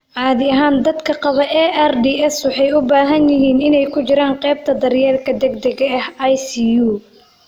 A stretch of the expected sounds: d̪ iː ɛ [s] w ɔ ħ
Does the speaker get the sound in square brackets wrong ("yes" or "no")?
no